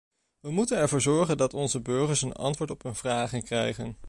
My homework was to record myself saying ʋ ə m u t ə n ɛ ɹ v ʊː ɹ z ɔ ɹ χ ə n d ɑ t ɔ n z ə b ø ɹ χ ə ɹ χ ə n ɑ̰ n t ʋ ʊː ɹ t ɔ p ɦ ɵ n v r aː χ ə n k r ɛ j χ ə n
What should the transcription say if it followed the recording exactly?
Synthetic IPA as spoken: ʋ ə m u t ə n ɛ ɹ v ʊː ɹ z ɔ ɹ χ ə n d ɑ t ɔ n z ə b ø ɹ χ ə ɹ s ə n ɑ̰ n t ʋ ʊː ɹ t ɔ p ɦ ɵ n v r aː χ ə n k r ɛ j χ ə n